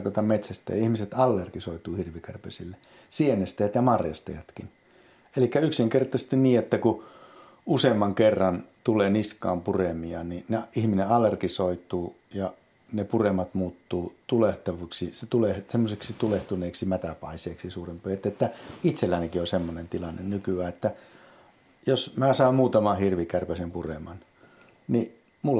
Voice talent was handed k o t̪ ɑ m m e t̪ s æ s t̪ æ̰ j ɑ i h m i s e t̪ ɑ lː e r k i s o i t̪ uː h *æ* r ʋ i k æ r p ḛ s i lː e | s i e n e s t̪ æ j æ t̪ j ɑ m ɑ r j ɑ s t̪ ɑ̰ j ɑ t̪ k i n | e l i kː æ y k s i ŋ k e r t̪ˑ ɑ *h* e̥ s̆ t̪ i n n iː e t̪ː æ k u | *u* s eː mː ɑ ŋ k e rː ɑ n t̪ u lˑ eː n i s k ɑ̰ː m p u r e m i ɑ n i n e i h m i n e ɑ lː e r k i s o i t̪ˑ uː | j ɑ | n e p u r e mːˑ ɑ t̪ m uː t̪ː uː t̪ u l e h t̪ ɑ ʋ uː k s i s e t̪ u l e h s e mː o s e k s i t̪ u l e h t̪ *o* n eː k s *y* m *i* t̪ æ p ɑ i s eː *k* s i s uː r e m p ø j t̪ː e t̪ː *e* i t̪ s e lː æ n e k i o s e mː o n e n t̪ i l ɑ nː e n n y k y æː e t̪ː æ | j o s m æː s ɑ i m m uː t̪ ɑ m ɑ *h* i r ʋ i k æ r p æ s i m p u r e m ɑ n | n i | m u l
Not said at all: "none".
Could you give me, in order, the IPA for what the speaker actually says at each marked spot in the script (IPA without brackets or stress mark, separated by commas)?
i, s, u, u, i, æ, k, æ, h